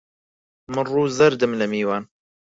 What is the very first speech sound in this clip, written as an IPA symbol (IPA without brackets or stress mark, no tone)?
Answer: m